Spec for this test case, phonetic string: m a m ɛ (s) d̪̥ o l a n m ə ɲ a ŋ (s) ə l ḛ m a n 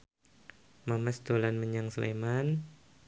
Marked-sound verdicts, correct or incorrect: correct, correct

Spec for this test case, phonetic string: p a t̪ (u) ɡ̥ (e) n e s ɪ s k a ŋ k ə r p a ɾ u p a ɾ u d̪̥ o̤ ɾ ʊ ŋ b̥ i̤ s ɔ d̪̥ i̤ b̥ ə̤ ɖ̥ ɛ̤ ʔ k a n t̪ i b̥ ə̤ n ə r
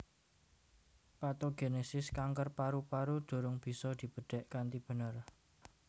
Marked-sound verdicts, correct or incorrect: incorrect, correct

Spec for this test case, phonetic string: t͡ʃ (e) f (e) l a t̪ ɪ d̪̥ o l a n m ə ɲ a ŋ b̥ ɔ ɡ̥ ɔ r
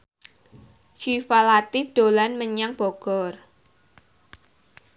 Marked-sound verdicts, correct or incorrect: incorrect, incorrect

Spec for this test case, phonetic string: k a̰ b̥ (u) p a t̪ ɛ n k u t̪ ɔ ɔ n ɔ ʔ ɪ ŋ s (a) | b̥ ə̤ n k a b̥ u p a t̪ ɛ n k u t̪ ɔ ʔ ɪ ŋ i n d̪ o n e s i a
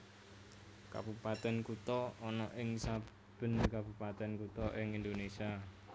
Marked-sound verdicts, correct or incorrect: correct, correct

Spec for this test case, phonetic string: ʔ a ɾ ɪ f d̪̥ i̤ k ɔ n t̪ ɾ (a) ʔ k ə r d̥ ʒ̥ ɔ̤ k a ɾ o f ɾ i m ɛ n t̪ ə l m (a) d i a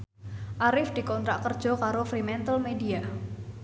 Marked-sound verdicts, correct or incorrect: correct, incorrect

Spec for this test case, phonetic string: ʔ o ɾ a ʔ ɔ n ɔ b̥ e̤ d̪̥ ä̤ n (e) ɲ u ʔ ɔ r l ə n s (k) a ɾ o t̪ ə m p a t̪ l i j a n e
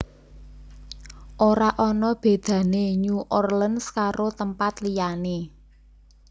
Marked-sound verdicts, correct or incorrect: correct, correct

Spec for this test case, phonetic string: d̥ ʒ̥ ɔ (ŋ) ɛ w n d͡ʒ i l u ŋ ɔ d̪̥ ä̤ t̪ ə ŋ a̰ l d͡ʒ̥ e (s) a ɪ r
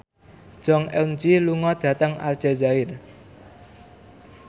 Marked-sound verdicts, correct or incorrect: correct, incorrect

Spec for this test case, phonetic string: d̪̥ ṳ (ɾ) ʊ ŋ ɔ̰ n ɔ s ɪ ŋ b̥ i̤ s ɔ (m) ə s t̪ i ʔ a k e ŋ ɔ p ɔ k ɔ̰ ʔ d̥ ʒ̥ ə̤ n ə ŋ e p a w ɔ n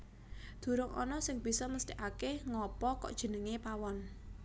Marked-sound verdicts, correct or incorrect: correct, correct

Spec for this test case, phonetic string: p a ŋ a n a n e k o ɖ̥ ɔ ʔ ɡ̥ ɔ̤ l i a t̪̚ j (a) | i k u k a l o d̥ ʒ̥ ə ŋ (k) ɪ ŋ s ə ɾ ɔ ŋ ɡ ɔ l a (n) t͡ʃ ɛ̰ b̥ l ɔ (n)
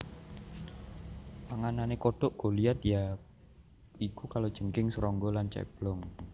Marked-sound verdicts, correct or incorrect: correct, correct, correct, incorrect

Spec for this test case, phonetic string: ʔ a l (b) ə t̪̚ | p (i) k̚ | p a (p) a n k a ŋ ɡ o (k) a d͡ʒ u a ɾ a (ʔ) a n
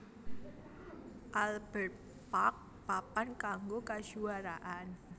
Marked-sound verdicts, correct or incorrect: correct, incorrect, correct, correct, correct

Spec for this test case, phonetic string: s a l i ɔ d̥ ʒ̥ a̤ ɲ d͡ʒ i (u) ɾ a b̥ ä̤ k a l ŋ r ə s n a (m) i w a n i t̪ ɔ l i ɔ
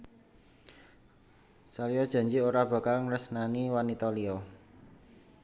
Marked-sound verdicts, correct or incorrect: incorrect, incorrect

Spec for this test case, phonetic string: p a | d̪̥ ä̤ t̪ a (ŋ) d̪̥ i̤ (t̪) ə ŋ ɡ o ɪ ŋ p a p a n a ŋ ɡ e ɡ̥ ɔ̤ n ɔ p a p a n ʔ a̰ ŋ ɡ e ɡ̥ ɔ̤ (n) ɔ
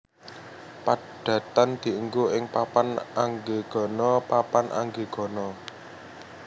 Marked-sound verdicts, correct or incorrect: incorrect, incorrect, correct

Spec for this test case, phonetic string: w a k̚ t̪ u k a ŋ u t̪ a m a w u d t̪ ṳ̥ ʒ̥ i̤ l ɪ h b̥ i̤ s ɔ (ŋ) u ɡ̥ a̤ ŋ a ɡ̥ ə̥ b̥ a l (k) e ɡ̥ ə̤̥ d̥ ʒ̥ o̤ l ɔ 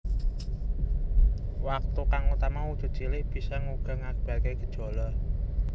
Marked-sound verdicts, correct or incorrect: correct, correct

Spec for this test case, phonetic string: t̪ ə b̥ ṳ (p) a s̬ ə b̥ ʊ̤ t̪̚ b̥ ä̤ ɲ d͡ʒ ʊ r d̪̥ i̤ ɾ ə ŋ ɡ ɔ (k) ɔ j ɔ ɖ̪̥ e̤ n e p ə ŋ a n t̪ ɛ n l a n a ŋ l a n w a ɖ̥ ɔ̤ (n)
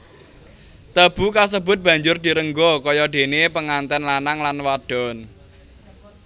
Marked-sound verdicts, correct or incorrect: incorrect, correct, correct

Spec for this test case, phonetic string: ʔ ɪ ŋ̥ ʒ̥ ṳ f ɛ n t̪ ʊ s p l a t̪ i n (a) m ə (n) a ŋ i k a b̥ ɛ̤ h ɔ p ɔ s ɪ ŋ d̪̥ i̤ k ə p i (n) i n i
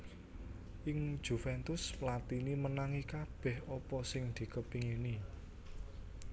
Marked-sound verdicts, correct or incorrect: incorrect, correct, incorrect

